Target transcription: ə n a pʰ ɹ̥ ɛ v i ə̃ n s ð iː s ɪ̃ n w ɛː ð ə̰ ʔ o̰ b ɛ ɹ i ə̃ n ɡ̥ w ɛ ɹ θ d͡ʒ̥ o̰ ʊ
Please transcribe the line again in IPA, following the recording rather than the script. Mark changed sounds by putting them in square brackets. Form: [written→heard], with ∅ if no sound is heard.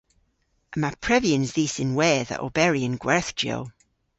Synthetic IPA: ə [n→m] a pʰ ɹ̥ ɛ v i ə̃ n [s→z] ð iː s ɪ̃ n w ɛː ð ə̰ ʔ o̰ b ɛ ɹ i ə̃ n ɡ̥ w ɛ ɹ θ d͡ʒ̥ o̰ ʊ